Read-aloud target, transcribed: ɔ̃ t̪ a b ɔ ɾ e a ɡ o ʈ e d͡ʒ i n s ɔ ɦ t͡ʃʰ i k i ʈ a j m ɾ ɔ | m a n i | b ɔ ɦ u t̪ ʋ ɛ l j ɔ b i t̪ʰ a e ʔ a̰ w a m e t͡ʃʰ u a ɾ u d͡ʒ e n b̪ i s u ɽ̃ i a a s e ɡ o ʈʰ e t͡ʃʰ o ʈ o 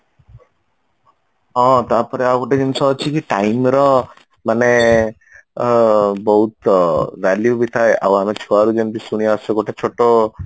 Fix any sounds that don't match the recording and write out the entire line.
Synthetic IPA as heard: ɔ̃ t̪ a p ɔ ɾ e a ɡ o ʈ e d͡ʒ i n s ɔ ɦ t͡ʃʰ i k i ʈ a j m ɾ ɔ | m a n e | b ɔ ɦ u t̪ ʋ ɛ l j u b i t̪ʰ a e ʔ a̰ w a m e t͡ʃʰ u a ɾ u d͡ʒ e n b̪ i s u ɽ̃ i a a s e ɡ o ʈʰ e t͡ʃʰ o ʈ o